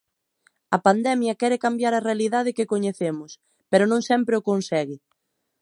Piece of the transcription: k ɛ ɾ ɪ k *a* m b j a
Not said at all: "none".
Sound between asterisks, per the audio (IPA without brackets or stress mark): a